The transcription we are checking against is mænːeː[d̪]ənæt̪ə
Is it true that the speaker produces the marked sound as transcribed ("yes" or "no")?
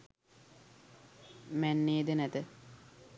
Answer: yes